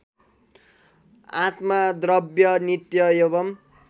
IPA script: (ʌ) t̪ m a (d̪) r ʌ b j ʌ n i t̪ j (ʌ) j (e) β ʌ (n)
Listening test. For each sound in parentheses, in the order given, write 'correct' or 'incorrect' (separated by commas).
incorrect, correct, correct, correct, incorrect